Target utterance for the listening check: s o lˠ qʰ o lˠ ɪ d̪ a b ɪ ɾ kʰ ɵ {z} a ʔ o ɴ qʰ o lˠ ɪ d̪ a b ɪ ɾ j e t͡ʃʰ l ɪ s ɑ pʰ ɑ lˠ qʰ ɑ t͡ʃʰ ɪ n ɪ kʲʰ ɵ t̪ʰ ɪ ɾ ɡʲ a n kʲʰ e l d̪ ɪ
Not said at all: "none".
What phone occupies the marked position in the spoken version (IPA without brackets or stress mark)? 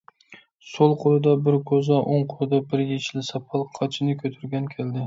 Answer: z